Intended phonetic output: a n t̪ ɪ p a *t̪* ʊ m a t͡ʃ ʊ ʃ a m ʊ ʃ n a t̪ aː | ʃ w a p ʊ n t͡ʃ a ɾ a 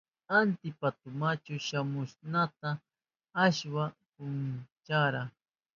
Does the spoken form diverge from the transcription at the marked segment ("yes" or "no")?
no